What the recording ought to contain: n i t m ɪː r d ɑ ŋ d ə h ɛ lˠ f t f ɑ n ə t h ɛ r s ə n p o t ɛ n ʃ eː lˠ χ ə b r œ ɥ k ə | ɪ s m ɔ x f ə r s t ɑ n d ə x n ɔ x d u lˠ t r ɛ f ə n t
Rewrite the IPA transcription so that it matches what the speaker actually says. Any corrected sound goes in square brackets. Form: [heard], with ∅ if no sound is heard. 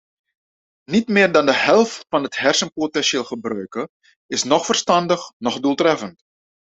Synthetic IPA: n i t m ɪː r d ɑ [n] d ə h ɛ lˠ f t f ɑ n ə t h ɛ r s ə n p o t ɛ n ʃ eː lˠ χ ə b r œ ɥ k ə | ɪ s [n] ɔ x f ə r s t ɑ n d ə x n ɔ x d u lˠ t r ɛ f ə n t